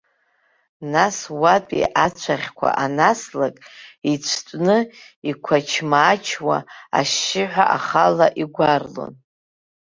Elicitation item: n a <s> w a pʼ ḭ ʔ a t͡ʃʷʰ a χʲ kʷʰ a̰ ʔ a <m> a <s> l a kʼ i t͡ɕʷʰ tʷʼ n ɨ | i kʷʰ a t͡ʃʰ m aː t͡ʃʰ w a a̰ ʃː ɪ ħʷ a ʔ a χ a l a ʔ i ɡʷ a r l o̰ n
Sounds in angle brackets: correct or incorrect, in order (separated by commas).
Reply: correct, incorrect, correct